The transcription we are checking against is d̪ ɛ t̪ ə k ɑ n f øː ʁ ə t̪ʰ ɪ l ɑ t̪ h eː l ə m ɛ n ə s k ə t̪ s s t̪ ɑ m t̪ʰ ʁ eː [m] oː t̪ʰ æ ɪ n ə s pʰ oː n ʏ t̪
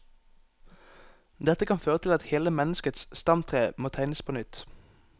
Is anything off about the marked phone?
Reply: no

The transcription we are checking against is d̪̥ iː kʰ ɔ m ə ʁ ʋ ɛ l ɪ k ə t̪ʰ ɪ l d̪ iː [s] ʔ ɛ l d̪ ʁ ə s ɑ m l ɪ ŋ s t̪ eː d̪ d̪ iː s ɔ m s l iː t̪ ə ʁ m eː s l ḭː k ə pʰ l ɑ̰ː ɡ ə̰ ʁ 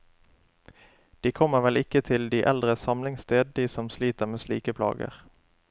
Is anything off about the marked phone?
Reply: yes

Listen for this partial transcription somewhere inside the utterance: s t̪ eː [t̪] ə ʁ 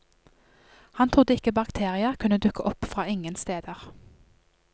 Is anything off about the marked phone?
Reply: yes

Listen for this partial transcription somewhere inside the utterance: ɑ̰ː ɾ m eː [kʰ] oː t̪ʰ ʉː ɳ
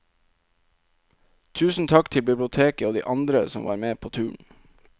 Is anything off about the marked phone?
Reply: yes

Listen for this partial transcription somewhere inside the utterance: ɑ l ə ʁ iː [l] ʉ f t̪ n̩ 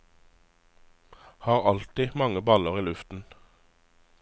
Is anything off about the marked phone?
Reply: no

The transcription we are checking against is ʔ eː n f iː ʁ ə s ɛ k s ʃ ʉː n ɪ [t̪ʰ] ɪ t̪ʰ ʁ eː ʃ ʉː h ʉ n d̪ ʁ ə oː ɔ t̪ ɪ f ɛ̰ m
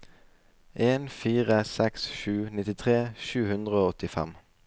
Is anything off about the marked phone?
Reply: yes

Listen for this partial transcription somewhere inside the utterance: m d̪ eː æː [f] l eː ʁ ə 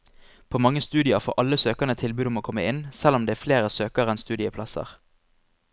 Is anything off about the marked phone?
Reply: no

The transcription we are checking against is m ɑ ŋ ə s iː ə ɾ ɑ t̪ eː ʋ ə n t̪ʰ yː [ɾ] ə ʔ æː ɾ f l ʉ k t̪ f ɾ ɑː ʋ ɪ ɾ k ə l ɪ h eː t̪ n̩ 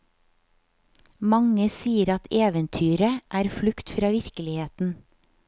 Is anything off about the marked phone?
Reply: no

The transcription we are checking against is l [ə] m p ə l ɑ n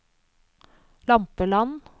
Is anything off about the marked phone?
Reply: yes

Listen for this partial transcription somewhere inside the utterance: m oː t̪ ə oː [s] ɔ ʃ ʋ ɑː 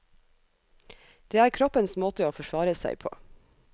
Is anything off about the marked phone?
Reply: yes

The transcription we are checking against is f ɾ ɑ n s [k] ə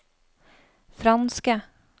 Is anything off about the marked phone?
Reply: no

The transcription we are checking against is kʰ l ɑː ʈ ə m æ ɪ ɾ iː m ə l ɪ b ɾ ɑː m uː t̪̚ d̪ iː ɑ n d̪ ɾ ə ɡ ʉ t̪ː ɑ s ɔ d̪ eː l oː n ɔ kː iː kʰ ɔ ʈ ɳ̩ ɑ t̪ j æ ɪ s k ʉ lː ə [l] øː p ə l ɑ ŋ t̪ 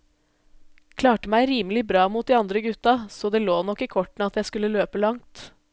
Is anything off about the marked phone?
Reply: no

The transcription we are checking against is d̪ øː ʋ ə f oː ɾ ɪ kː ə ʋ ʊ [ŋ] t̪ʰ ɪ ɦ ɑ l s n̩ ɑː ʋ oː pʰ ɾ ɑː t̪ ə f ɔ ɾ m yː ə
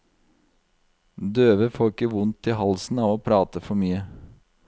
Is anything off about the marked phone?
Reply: yes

